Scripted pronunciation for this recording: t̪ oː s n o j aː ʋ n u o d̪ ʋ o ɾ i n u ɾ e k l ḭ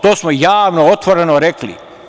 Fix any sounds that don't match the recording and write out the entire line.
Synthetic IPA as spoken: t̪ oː s m o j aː ʋ n o o t̪ ʋ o ɾ e n o ɾ e k l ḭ